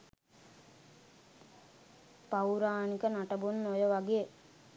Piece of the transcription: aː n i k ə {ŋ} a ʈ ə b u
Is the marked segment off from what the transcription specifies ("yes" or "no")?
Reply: yes